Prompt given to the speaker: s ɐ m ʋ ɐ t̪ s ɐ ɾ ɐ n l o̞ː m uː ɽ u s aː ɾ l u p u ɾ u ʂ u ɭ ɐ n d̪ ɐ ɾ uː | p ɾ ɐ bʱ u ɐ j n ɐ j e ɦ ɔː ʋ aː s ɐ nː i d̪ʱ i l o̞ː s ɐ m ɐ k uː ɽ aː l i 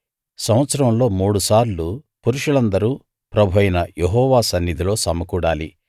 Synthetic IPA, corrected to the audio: s ɐ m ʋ ɐ t̪ s ɐ ɾ ɐ m l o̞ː m uː ɽ u s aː ɾ l u p u ɾ u ʂ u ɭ ɐ n d̪ ɐ ɾ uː | p ɾ ɐ bʱ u ɐ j n ɐ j e ɦ ɔː ʋ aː s ɐ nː i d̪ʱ i l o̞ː s ɐ m ɐ k uː ɽ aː l i